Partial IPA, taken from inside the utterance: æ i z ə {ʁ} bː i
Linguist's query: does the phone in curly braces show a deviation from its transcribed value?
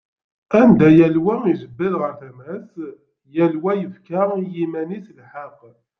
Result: yes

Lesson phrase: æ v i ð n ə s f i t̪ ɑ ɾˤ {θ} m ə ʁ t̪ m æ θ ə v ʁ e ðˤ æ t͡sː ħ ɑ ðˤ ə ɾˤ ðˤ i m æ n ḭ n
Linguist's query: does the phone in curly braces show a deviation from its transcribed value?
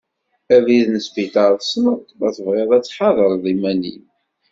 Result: yes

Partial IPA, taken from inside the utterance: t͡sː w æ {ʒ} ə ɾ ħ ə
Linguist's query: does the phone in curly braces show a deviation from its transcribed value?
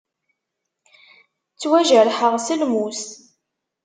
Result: no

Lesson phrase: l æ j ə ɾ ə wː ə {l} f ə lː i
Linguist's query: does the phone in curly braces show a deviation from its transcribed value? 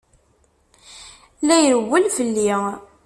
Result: no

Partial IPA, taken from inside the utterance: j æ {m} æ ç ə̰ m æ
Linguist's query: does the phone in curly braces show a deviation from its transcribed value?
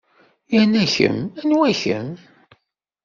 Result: yes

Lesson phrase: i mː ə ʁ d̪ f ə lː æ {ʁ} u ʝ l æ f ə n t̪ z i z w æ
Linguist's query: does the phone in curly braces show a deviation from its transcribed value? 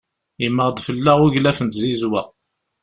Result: no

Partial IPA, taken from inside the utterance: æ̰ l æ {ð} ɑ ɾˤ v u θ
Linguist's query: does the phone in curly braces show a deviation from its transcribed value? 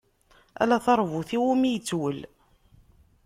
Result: yes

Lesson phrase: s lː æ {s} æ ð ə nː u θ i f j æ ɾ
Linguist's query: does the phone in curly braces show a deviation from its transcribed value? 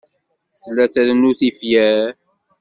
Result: yes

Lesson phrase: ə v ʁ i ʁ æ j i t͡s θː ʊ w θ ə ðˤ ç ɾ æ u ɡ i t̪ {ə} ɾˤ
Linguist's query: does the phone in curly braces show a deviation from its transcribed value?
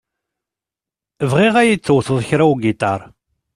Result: yes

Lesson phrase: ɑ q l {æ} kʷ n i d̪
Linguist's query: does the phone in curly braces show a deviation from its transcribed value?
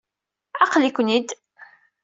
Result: yes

